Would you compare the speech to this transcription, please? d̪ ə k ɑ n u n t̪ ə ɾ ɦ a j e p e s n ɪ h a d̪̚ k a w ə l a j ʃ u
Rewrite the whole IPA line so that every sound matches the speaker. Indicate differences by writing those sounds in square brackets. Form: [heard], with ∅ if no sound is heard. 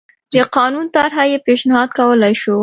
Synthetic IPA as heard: d̪ ə [q] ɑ n u n t̪ [a] ɾ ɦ a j e p e [ʃ] n ɪ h [ɑ] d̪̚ k a w ə l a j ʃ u